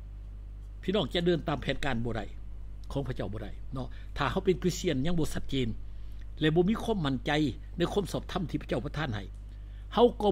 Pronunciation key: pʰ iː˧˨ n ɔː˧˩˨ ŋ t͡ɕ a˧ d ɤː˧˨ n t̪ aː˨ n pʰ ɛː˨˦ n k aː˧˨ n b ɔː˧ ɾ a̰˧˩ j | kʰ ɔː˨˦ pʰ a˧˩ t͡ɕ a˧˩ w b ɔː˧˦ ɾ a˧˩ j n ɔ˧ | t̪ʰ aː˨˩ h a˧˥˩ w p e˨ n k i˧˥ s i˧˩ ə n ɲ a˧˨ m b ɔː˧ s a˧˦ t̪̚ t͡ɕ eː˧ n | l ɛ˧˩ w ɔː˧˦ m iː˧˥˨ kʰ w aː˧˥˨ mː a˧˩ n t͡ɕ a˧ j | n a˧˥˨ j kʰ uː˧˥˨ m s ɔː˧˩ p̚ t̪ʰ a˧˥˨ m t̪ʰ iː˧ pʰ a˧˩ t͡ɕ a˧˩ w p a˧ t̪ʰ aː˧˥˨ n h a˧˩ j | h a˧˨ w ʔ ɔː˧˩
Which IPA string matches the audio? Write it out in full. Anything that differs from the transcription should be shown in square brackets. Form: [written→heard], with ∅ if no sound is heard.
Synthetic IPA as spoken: pʰ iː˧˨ n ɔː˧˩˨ ŋ t͡ɕ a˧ d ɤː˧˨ n t̪ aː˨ [n→m] pʰ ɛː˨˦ n k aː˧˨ n b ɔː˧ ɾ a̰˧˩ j | kʰ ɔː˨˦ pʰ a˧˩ t͡ɕ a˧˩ w b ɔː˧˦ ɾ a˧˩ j n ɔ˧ | t̪ʰ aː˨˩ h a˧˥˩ w p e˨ n k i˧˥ s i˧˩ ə n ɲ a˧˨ [m→ŋ] b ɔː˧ s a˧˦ t̪̚ t͡ɕ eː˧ n | l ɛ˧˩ [w→b] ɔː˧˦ m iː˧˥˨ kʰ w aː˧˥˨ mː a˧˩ n t͡ɕ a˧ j | n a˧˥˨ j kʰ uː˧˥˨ m s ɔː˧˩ p̚ t̪ʰ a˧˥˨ m t̪ʰ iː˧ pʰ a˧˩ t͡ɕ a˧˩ w p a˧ t̪ʰ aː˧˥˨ n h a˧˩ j | h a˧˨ w [ʔ→k] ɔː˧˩